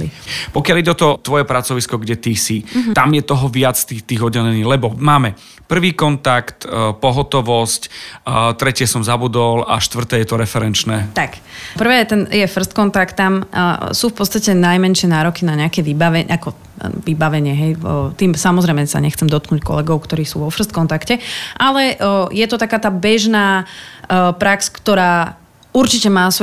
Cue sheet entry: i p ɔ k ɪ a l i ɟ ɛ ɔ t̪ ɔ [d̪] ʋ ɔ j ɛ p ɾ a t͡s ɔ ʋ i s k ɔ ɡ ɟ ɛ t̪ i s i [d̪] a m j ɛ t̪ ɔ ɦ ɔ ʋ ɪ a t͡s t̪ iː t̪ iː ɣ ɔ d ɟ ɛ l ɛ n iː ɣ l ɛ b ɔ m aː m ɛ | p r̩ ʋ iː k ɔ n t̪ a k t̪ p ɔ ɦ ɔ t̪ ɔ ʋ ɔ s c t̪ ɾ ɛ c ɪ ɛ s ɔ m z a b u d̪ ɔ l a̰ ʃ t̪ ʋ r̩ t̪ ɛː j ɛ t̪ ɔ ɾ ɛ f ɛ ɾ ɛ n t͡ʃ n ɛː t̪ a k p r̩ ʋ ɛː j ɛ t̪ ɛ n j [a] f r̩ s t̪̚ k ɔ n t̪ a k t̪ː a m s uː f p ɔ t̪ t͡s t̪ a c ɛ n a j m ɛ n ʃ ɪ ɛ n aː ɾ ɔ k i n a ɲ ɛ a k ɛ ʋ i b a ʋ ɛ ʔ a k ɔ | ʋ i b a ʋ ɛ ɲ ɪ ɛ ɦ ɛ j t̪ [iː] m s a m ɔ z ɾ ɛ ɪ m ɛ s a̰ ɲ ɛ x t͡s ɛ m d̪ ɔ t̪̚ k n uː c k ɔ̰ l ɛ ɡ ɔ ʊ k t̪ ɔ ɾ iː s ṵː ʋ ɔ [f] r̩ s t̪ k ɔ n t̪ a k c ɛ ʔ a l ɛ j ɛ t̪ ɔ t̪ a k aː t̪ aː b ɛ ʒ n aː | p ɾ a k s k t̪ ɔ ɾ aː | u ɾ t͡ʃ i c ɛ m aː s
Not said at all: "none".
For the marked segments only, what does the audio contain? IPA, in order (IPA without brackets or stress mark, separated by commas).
t̪, t̪, ɛ, iː, f